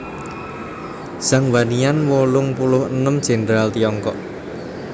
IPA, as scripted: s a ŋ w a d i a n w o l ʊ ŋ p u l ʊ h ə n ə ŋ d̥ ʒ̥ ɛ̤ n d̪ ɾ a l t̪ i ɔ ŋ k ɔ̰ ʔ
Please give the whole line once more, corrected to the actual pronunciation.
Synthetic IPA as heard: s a ŋ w a n i a n w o l ʊ ŋ p u l ʊ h ə n ə m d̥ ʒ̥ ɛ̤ n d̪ ɾ a l t̪ i ɔ ŋ k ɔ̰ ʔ